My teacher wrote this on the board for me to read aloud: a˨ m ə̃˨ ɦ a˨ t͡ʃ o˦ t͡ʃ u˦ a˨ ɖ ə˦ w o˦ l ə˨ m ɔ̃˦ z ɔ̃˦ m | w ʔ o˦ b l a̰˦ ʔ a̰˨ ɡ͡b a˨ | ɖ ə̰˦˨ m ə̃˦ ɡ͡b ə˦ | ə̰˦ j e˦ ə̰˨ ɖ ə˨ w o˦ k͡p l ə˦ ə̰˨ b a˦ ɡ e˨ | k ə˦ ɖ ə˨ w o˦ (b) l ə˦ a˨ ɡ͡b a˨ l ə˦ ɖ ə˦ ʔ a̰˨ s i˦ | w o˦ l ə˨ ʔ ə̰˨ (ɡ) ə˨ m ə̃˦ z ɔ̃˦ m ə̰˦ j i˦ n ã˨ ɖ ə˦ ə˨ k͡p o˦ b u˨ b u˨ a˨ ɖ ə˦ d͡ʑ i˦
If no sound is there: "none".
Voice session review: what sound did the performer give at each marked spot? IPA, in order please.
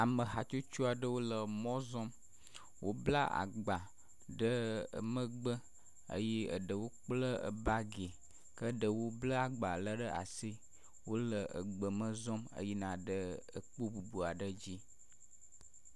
b, ɡ͡b

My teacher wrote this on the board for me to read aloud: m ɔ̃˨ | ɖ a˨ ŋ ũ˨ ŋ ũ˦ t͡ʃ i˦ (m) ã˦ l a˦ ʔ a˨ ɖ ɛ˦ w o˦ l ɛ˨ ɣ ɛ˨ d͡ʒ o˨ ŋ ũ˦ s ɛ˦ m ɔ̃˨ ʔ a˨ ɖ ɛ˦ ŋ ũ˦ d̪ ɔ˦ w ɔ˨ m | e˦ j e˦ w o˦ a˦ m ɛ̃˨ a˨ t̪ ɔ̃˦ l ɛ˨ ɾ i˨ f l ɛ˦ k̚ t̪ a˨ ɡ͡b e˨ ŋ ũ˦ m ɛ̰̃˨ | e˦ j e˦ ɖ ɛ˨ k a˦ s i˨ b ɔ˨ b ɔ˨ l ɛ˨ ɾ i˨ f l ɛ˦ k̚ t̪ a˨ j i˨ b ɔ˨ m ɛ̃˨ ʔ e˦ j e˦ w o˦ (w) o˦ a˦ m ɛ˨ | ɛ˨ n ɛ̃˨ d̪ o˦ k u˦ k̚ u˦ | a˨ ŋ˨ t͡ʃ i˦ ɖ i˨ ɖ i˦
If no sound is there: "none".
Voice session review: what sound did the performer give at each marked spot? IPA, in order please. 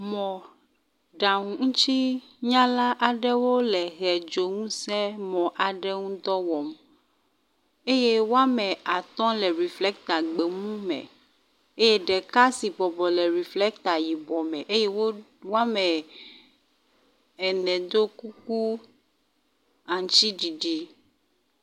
ɲ, w

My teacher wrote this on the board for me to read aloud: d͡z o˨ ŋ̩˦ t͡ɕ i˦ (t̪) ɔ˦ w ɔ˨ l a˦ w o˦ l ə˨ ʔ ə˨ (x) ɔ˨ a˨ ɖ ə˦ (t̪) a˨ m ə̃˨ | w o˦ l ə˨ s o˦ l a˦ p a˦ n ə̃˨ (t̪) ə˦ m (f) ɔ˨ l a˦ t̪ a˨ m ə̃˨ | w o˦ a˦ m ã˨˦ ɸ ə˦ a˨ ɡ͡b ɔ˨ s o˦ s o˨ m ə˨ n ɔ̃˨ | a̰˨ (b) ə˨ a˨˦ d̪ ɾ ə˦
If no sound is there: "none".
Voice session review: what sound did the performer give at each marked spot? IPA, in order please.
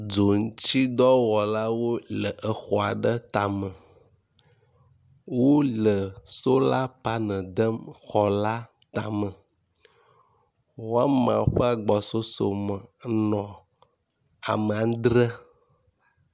d̪, x, t̪, d̪, x, m

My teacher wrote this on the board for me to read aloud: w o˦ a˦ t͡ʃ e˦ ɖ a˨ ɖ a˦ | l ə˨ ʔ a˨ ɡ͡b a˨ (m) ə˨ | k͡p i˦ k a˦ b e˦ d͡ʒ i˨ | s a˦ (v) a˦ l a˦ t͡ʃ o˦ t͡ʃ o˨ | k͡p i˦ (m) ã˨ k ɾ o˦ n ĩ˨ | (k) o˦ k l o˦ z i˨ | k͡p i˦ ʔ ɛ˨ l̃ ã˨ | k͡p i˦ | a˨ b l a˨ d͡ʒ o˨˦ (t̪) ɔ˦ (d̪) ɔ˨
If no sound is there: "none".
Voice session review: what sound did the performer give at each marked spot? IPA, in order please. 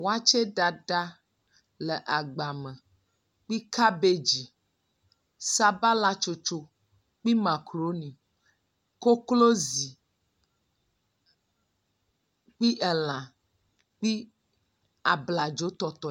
m, b, m, k, t̪, t̪

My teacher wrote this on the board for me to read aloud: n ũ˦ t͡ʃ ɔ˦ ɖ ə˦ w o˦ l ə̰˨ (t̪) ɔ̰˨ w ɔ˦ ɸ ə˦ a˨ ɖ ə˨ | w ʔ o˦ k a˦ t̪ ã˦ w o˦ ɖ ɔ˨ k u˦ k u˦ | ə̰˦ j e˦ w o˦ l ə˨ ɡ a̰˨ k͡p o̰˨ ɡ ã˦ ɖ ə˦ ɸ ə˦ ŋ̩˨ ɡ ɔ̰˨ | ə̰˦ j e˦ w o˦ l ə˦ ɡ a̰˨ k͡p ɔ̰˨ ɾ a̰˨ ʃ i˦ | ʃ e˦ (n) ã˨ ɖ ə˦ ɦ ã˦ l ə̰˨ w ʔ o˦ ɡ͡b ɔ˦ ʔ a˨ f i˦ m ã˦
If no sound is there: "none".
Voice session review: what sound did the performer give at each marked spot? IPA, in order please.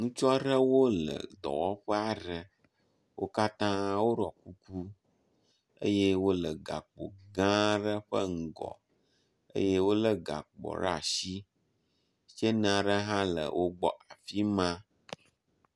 d̪, n

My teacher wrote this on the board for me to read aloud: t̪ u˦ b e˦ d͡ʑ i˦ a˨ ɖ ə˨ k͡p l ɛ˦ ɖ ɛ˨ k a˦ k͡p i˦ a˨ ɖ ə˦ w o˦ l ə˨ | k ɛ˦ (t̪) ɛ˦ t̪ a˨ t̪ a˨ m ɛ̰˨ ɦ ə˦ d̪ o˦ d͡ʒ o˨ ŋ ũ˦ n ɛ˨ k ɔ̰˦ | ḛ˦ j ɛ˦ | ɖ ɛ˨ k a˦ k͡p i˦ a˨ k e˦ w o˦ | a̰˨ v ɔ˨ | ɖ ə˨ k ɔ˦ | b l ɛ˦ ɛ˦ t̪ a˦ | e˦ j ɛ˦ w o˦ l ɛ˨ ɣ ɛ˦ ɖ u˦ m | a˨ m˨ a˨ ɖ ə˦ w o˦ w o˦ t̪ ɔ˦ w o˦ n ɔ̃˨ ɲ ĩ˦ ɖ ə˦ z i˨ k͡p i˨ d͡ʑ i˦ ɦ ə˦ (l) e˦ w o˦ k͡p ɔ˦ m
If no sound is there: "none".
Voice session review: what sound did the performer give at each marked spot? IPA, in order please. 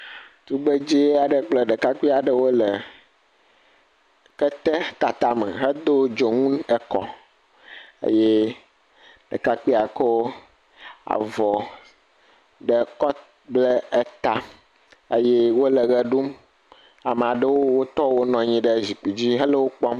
t̪, l

